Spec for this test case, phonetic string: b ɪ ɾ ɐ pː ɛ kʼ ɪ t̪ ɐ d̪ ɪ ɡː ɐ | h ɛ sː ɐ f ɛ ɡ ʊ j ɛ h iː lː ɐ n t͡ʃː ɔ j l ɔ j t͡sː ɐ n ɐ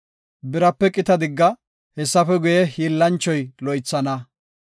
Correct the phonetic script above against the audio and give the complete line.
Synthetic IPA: b ɪ ɾ ɐ pː ɛ kʼ ɪ t̪ ɐ d̪ ɪ ɡː ɐ | h ɛ sː ɐ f ɛ ɡ ʊ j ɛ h iː lː ɐ n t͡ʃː ɔ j l ɔ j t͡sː ɐ n ɐ